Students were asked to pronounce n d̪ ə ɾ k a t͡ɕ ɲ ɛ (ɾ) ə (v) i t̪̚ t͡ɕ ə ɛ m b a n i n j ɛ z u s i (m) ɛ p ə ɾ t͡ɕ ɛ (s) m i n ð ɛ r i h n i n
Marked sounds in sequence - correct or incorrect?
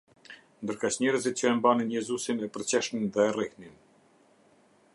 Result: correct, incorrect: z, incorrect: n, incorrect: ʃ

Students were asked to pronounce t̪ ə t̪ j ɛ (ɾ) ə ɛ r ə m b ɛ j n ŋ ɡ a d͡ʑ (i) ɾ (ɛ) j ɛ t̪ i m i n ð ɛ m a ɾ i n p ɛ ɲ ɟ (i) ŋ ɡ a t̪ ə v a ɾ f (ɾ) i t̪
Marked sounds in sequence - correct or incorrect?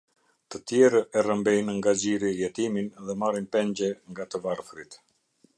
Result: correct, correct, incorrect: i, incorrect: ɛ, correct

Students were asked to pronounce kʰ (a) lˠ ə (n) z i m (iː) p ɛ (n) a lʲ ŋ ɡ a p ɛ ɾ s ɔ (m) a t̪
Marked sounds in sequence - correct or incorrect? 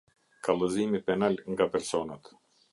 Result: correct, incorrect: none, incorrect: i, correct, incorrect: n

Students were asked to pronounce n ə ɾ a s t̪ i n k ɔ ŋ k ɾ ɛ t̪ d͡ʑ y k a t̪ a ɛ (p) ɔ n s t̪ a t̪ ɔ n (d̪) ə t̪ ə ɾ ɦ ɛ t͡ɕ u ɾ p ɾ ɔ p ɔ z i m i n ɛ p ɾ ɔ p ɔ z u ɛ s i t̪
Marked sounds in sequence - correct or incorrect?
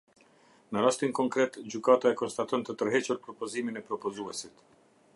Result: incorrect: k, incorrect: t̪

